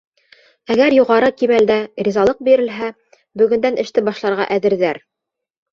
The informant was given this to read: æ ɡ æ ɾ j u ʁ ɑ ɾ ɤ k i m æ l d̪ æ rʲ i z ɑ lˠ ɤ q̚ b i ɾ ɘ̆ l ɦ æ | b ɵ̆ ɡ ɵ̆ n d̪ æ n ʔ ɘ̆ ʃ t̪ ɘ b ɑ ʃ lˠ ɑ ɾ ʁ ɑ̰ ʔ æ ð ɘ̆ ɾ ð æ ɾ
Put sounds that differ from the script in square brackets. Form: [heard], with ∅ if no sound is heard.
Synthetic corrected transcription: æ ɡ æ ɾ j u ʁ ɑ ɾ ɤ k i m æ l d̪ æ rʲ i z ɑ lˠ ɤ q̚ b i ɾ ɘ̆ l ɦ æ | b ɵ̆ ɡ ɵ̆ n d̪ æ n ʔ ɘ̆ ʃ t̪ ɘ b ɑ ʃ lˠ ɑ ɾ ʁ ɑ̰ ʔ æ ð ɘ̆ ɾ ð æ ɾ